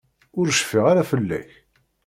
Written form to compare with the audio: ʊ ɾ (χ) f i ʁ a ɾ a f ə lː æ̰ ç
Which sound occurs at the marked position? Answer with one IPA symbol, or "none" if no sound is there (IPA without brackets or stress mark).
ʃ